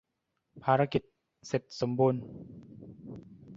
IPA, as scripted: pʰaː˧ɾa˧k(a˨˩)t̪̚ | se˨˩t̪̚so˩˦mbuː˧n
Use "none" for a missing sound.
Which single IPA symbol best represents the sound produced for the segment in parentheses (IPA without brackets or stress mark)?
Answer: i˨˩